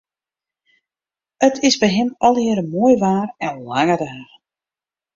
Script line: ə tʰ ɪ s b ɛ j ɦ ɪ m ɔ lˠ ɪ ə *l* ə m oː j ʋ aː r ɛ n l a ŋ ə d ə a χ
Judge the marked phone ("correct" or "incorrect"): incorrect